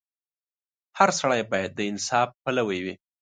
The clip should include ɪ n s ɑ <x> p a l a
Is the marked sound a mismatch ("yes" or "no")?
yes